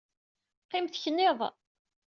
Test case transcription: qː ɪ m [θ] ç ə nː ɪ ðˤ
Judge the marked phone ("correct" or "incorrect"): correct